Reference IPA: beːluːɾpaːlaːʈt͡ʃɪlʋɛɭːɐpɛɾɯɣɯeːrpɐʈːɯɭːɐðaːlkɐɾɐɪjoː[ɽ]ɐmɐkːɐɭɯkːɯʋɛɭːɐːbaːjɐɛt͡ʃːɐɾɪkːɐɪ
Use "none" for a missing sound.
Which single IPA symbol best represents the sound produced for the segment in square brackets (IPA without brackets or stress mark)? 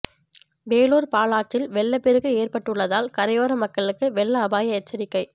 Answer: ɾ